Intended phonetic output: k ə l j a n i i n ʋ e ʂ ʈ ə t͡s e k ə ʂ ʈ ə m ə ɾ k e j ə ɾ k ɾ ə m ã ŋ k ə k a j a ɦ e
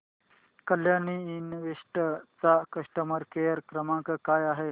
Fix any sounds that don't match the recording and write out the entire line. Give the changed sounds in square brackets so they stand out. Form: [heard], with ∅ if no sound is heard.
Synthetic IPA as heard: k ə l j a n i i n ʋ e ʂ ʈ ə t͡s [a] k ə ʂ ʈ ə m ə ɾ k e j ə ɾ k ɾ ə m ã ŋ k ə k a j a ɦ e